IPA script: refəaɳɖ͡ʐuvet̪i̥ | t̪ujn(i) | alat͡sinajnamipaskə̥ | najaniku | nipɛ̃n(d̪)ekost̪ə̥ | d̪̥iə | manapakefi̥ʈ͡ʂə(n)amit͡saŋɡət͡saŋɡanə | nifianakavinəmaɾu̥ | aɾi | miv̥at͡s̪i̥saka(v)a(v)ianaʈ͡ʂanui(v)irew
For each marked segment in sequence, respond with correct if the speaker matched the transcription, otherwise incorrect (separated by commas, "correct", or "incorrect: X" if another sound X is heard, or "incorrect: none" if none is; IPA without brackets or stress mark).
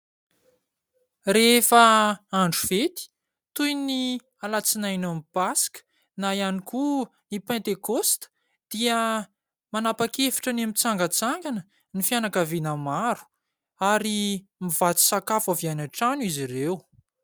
correct, incorrect: t̪, correct, incorrect: f, correct, incorrect: z